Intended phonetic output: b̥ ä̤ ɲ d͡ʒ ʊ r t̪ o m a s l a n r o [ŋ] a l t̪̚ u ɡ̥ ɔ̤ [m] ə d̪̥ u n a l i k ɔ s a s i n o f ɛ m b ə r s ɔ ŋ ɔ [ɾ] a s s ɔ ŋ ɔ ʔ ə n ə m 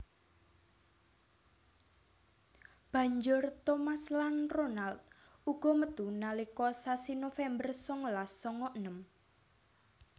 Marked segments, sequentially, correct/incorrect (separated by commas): incorrect, correct, incorrect